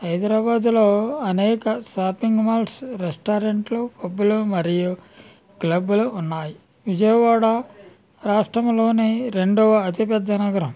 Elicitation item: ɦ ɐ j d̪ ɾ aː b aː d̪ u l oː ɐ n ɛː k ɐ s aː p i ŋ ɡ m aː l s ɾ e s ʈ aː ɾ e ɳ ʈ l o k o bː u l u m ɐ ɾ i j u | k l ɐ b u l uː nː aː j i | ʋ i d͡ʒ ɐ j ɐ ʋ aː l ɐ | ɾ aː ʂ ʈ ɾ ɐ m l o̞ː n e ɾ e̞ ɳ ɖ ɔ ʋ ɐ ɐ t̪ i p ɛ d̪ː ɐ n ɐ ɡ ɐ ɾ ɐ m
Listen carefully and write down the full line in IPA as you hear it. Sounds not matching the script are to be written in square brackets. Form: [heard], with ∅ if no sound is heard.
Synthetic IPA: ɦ ɐ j d̪ ɾ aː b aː d̪ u l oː ɐ n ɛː k ɐ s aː p i ŋ ɡ m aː l s ɾ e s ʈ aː ɾ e ɳ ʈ l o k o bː u l u m ɐ ɾ i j u | k l ɐ b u l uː nː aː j i | ʋ i d͡ʒ ɐ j ɐ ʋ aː [ɽ] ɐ | ɾ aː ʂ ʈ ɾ ɐ m l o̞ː n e ɾ e̞ ɳ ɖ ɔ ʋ ɐ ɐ t̪ i p ɛ d̪ː ɐ n ɐ ɡ ɐ ɾ ɐ m